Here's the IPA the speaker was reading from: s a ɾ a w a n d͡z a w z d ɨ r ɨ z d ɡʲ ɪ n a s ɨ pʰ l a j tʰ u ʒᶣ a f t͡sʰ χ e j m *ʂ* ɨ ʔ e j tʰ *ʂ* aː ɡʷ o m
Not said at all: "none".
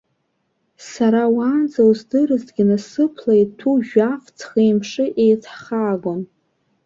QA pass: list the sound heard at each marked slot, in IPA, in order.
ʂ, χ

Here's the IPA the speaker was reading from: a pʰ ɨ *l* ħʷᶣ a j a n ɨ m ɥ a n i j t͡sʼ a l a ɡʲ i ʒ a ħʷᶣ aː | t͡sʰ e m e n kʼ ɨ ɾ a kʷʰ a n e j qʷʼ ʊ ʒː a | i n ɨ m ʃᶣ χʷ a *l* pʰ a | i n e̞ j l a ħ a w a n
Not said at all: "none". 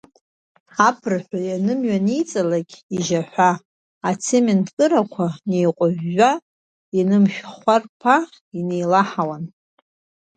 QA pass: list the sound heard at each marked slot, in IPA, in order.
r, r

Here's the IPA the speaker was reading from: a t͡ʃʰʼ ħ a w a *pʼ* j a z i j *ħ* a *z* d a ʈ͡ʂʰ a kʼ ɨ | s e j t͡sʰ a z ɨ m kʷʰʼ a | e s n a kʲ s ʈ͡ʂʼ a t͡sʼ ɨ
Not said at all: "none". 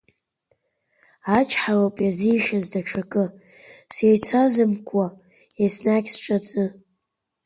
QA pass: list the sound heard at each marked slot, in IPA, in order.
pʼ, ʃ, z

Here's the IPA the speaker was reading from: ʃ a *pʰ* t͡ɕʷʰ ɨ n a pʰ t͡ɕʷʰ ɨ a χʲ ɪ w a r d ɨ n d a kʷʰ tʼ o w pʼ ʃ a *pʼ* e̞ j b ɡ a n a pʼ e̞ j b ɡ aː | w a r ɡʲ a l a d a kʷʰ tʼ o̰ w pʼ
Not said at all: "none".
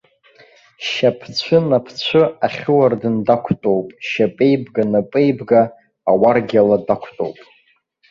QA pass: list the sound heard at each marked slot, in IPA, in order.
pʰ, pʼ

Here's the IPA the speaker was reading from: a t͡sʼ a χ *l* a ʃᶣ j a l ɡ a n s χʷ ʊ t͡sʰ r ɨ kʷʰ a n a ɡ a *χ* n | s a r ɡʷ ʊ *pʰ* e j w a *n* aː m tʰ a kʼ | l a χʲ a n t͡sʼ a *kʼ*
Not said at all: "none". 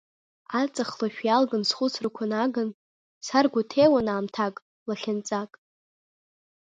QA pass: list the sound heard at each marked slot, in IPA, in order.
l, none, tʰ, n, kʼ

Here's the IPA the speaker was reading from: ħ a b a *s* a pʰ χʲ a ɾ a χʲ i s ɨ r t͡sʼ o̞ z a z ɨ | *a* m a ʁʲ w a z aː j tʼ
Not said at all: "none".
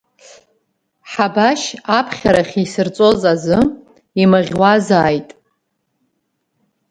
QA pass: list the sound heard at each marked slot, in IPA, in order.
ʃ, i

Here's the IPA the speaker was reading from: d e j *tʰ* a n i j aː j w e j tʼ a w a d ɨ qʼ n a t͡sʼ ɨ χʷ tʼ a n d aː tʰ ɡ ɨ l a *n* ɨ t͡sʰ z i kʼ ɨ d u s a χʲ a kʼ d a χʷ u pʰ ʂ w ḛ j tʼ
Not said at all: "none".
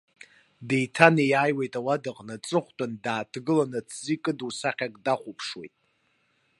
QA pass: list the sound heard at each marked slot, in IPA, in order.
tʰ, n

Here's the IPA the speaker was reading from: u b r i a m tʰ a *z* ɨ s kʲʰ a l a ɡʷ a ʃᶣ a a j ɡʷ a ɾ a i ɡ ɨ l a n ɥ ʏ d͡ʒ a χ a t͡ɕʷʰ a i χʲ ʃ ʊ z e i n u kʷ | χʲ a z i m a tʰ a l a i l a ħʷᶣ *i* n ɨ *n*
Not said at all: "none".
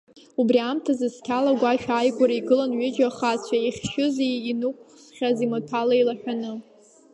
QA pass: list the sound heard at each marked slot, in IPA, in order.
z, a, none

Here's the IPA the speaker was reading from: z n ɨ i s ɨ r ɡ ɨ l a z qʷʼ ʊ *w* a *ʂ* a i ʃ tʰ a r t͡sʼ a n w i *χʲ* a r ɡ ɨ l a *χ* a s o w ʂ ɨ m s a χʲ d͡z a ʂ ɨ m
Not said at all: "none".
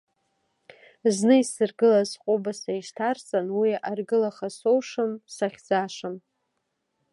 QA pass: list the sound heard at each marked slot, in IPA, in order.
b, s, none, χ

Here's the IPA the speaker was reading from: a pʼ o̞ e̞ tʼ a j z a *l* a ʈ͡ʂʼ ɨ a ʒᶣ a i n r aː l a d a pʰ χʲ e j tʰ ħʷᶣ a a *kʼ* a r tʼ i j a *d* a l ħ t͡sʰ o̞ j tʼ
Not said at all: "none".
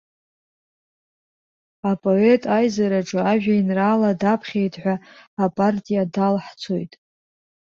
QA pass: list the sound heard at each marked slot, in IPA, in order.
ɾ, pʼ, d

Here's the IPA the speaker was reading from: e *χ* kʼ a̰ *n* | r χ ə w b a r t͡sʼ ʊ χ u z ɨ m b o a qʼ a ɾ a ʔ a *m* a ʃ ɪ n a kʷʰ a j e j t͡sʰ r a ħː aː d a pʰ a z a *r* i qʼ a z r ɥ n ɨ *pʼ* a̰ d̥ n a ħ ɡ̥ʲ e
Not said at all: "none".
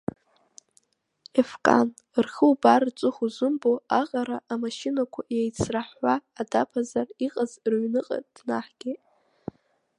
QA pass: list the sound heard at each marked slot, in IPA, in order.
f, n, m, r, qʼ

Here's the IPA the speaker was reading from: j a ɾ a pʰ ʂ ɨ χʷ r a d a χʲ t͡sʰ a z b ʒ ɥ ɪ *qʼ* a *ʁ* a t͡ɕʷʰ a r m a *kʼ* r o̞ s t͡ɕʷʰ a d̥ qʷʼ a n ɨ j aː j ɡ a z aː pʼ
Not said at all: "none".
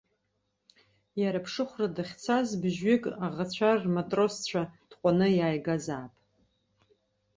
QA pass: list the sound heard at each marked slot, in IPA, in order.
kʼ, ʁ, tʼ

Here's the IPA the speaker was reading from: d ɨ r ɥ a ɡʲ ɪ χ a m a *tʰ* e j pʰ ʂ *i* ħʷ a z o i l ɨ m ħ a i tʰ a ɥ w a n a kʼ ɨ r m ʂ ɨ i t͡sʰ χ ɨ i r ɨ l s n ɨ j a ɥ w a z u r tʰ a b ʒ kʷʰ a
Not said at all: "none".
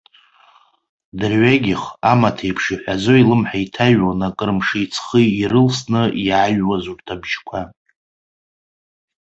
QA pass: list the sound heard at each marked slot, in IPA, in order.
tʰ, i

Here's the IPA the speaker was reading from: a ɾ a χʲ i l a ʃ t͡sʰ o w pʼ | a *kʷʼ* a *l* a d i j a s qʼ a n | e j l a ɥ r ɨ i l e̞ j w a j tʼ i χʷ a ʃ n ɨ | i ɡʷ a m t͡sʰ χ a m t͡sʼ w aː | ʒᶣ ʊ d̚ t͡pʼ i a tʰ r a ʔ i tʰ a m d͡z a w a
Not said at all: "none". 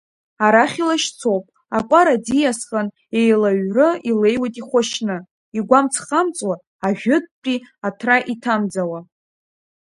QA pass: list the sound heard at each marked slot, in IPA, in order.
kʷʼ, ɾ

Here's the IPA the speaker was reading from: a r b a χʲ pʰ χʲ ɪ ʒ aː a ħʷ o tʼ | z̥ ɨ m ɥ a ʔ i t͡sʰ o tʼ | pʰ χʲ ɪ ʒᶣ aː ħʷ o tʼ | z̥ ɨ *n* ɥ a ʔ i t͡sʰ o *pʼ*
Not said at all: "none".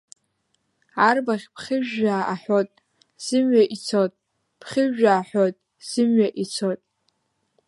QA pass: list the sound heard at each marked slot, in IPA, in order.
m, tʼ

